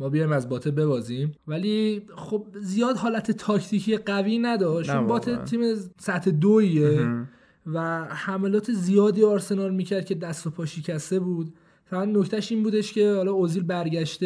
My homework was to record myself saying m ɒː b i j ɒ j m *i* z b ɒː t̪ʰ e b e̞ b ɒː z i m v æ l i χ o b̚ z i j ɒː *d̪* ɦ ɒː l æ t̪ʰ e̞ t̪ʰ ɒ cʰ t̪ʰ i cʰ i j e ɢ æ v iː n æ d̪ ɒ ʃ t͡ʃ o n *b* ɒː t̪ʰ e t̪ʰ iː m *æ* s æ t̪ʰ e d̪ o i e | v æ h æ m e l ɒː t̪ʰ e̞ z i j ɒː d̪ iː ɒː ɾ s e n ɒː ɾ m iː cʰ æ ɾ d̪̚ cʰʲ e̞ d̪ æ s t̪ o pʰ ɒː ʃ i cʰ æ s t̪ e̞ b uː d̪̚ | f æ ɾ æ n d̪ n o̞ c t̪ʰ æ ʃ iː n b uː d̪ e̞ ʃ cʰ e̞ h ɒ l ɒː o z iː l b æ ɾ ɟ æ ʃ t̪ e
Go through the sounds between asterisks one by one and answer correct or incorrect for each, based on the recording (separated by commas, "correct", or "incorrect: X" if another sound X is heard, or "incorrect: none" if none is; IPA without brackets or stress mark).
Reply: incorrect: æ, correct, correct, incorrect: e